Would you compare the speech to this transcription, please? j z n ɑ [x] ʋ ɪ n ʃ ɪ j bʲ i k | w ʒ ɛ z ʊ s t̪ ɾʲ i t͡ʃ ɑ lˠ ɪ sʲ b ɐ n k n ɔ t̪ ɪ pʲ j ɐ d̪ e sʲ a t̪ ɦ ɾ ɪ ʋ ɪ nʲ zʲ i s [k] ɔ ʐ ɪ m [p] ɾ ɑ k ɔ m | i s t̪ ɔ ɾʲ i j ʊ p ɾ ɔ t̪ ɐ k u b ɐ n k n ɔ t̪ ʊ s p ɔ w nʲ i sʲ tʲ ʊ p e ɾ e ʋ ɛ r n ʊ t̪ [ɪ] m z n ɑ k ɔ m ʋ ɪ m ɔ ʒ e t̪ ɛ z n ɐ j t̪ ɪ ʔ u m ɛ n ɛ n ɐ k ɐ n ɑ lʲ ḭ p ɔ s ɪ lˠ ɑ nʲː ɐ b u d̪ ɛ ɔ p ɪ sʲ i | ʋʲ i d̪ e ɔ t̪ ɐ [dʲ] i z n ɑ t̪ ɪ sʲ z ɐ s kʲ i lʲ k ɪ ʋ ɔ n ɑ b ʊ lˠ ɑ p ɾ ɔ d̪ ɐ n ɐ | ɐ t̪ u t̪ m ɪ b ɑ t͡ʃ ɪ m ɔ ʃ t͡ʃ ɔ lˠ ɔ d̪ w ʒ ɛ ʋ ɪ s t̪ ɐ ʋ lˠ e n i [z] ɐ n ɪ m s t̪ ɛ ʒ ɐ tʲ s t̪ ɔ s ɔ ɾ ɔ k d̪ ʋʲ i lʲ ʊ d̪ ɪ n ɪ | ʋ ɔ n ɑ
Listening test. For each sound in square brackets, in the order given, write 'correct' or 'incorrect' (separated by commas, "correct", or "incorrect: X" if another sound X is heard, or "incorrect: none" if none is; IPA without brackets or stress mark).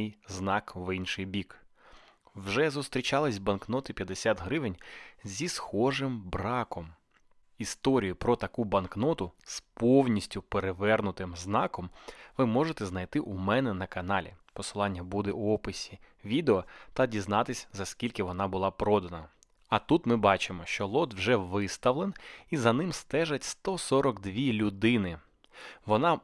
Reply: incorrect: k, incorrect: x, incorrect: b, correct, correct, correct